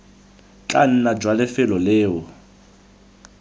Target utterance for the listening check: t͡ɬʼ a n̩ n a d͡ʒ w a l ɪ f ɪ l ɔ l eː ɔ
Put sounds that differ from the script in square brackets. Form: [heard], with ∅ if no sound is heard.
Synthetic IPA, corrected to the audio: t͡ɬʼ a n̩ n a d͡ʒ w a l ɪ f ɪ l ɔ l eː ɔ